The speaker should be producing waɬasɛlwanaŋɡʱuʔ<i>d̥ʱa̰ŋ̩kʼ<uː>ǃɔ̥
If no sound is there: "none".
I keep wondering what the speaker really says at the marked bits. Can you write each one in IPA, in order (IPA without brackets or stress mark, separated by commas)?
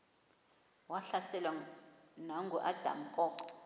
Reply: a, ɔː